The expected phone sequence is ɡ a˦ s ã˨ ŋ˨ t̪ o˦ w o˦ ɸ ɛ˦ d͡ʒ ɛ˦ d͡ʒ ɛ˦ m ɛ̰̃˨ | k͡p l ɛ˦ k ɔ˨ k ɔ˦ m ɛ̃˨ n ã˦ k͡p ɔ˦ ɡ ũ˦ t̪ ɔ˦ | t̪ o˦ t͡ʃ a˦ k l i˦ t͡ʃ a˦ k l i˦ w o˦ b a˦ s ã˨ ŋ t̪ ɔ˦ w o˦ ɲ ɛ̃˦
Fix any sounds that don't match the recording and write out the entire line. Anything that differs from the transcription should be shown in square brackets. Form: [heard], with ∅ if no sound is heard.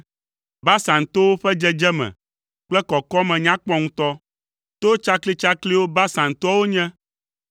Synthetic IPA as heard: [b] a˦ s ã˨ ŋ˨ t̪ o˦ w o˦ ɸ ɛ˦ d͡ʒ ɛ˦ d͡ʒ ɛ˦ m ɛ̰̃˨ | k͡p l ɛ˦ k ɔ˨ k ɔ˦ m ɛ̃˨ [ɲ] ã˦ k͡p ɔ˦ [ŋ] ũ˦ t̪ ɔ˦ | t̪ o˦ t͡ʃ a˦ k l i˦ t͡ʃ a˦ k l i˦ w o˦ b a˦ s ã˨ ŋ t̪ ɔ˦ w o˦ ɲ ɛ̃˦